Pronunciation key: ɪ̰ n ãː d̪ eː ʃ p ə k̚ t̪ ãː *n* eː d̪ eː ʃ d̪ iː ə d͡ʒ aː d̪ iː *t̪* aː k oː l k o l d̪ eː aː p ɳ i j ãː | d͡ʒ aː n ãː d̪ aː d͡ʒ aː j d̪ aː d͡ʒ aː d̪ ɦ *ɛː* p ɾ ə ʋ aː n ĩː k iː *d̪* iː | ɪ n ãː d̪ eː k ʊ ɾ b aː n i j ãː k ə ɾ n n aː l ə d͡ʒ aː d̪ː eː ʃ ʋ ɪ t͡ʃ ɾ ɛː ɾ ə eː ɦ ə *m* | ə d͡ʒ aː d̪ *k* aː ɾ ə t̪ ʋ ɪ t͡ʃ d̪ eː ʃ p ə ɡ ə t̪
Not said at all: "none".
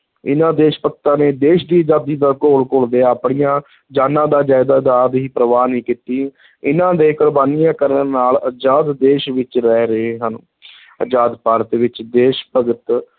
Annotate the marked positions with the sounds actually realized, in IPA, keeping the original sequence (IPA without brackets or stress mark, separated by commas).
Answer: n, d̪, iː, t̪, n, p